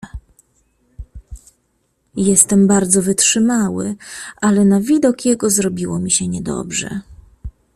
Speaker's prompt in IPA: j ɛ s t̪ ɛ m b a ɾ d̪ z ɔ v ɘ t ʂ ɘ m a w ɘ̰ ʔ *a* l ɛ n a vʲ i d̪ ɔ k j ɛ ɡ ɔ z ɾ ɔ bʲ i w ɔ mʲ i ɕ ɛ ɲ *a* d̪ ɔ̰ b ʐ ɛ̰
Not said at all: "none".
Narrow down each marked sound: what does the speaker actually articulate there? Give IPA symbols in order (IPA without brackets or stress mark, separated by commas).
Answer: a, ɛ